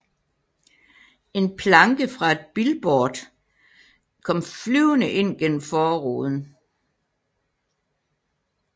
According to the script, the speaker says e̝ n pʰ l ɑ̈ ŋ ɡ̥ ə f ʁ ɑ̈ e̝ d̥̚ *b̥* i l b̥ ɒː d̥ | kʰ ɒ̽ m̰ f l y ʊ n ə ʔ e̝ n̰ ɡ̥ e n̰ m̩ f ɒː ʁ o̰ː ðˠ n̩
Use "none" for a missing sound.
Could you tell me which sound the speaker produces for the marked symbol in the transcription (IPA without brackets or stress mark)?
b̥